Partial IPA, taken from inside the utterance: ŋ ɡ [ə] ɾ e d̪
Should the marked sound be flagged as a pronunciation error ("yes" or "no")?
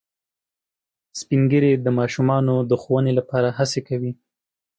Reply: no